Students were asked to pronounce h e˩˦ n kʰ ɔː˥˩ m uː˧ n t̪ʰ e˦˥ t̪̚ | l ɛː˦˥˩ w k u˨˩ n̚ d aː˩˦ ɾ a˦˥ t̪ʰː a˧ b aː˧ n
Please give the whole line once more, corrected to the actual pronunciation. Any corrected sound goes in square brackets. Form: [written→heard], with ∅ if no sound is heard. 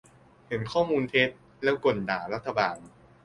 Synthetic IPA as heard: h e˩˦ n kʰ ɔː˥˩ m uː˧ n t̪ʰ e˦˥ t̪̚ | l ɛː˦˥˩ w k [u˨˩→o˨˩] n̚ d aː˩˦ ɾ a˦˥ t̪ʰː a˧ b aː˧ n